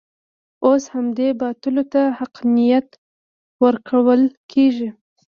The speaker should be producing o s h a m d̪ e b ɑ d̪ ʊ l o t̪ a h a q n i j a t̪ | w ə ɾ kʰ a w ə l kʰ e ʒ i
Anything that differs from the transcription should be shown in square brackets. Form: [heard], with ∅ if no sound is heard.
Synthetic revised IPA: o s h a m d̪ e b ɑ [t̪] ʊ l o t̪ a h a q n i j a t̪ | w ə ɾ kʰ a w ə l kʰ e ʒ i